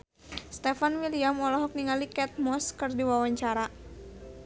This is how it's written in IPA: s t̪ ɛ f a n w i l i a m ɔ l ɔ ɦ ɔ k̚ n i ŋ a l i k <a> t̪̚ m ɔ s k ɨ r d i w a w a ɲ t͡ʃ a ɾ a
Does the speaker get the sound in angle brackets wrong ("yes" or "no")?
yes